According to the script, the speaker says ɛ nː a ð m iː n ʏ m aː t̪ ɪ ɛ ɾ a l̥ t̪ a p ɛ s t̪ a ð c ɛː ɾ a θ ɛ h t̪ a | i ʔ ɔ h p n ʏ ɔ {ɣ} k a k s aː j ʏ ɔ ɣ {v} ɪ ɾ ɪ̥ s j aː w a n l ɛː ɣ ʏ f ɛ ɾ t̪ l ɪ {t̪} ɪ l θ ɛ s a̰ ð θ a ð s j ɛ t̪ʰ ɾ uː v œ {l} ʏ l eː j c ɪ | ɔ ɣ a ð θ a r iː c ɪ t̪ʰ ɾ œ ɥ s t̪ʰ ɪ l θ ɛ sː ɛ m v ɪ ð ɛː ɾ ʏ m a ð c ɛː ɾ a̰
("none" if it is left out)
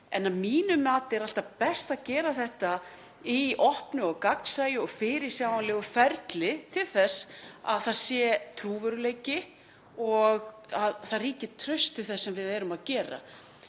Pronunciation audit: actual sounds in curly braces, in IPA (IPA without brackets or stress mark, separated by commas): ɣ, f, t̪ʰ, ɾ